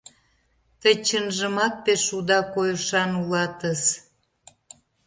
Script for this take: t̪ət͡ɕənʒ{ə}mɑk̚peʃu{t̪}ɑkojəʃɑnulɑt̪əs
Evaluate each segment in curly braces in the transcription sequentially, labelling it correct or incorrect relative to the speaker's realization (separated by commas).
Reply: correct, incorrect